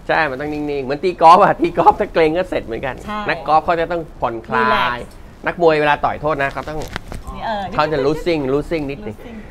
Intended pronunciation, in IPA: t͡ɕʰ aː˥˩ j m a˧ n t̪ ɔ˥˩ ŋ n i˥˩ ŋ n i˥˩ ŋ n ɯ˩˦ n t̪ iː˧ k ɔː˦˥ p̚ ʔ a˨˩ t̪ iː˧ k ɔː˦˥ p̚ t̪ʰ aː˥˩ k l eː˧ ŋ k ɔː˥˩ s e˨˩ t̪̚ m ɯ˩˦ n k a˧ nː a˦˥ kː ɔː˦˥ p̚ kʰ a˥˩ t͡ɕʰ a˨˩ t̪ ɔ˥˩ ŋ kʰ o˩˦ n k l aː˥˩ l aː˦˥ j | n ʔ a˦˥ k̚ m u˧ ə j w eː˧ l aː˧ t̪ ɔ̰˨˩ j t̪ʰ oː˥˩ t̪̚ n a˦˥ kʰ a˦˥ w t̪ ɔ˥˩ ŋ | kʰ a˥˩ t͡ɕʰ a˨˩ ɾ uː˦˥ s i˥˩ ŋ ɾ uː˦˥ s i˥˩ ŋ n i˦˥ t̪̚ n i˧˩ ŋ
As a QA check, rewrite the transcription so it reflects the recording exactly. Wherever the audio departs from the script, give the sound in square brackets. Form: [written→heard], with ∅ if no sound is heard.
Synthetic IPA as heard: t͡ɕʰ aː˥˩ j m a˧ n t̪ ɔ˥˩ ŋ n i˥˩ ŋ n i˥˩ ŋ [n→m] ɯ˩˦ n t̪ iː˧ k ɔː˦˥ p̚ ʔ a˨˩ t̪ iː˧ k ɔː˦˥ p̚ t̪ʰ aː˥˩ k l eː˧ ŋ k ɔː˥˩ s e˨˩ t̪̚ m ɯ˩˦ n k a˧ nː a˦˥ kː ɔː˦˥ p̚ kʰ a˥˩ [t͡ɕʰ→t͡ɕ] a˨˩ t̪ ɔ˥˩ ŋ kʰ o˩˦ n [k→kʰ] l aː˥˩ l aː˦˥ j | n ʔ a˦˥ k̚ m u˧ ə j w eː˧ l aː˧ t̪ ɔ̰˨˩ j t̪ʰ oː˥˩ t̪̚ n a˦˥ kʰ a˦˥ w t̪ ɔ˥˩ ŋ | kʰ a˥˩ [t͡ɕʰ→t͡ɕ] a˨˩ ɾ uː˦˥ s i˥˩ ŋ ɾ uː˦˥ s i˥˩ ŋ n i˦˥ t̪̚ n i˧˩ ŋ